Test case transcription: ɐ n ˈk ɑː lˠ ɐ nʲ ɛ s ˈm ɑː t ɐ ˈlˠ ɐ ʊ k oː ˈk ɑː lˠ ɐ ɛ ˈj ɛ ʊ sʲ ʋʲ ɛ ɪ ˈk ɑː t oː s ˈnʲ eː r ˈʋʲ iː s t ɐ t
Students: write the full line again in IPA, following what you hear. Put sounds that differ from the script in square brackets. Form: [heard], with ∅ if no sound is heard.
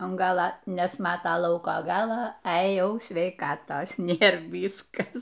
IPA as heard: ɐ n [ˈɡ] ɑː lˠ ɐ nʲ ɛ s ˈm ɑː t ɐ ˈlˠ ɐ ʊ k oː [ˈɡ] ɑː lˠ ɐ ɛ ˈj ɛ ʊ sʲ ʋʲ ɛ ɪ ˈk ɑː t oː s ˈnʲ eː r ˈʋʲ iː s [k] ɐ [s]